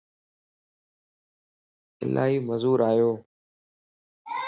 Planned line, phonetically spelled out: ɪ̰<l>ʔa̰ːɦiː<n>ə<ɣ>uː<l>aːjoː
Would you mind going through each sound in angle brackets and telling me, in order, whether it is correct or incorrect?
correct, incorrect: m, incorrect: z, incorrect: ɾ

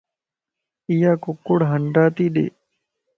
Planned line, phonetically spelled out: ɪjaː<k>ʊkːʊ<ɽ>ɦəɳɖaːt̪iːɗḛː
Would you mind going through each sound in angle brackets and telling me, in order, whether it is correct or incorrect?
correct, correct

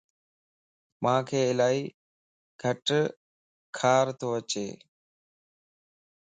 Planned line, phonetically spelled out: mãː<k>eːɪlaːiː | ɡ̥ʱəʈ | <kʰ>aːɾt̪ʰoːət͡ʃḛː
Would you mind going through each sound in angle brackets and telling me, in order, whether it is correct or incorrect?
incorrect: kʰ, correct

